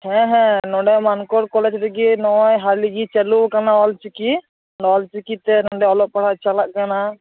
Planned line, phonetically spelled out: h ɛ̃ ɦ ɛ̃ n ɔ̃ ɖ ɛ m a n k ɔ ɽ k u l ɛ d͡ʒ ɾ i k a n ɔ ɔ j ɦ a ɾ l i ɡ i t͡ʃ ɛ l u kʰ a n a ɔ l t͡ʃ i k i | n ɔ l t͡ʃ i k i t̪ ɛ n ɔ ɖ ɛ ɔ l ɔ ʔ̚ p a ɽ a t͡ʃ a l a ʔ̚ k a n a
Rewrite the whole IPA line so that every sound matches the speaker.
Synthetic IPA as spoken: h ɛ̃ ɦ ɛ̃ n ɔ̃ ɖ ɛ m a n k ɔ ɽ k ɔ l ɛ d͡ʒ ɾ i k i n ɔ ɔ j ɦ a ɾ l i ɡ i t͡ʃ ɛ l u k a n a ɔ l t͡ʃ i k i | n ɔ l t͡ʃ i k i t̪ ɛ n ɔ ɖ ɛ ɔ l ɔ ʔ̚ p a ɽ a t͡ʃ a l a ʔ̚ k a n a